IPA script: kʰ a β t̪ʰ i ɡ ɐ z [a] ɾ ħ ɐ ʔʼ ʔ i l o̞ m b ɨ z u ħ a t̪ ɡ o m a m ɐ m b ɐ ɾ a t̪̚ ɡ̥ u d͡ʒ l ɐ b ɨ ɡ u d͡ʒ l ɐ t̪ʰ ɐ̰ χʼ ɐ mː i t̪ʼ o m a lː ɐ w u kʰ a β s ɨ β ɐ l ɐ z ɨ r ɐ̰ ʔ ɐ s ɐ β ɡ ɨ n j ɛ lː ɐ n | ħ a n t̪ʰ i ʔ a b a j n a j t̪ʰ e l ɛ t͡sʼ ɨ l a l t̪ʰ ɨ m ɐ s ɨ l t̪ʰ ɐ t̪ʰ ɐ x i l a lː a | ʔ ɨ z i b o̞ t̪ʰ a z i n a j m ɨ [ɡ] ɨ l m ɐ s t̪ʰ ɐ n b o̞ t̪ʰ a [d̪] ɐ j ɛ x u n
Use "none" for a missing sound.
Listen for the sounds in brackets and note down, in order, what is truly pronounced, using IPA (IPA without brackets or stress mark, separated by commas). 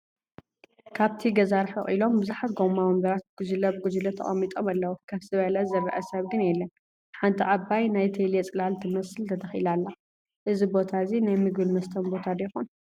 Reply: a, ɡ, d̪